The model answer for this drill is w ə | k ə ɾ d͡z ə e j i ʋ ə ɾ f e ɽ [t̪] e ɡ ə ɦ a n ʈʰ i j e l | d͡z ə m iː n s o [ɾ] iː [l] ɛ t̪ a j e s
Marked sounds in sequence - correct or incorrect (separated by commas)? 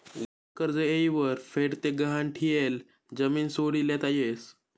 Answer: correct, incorrect, correct